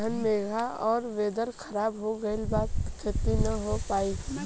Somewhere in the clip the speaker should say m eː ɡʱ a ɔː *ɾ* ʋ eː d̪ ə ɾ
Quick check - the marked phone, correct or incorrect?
correct